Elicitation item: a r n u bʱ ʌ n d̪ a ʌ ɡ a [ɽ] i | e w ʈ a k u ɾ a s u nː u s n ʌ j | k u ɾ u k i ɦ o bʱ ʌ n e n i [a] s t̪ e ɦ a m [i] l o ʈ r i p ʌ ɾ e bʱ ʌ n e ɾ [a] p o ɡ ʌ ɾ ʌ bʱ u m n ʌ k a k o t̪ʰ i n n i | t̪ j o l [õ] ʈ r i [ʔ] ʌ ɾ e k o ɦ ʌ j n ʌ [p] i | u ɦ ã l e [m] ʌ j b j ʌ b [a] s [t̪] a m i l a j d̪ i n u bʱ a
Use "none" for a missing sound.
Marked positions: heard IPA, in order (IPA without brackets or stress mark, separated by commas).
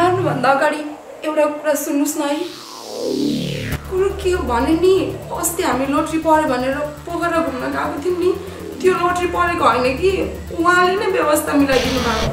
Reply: ɽ, ʌ, i, ʌ, o, p, k, n, ʌ, t̪ʰ